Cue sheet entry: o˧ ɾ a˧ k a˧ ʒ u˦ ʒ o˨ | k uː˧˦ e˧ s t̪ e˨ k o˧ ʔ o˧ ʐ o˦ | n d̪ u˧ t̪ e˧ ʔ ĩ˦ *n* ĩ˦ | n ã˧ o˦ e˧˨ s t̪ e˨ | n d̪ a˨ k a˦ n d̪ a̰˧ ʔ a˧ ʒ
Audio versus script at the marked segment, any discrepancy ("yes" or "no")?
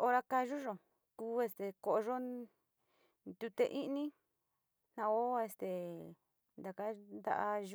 no